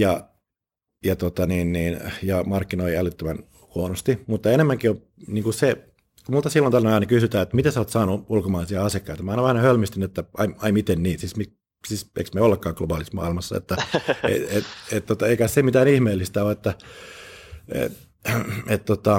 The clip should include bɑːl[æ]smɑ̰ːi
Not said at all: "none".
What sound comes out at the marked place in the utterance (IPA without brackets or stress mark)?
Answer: i